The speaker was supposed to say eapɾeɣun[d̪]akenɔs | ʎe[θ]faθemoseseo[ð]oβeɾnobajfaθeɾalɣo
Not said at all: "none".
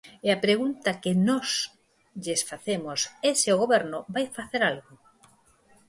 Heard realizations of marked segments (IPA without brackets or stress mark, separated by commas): t̪, s, ɣ